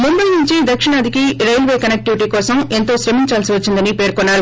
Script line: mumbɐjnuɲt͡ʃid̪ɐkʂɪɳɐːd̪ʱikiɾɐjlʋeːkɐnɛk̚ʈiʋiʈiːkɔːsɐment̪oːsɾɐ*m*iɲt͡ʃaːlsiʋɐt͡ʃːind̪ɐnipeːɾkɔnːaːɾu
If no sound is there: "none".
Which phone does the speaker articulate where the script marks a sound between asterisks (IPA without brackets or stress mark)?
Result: m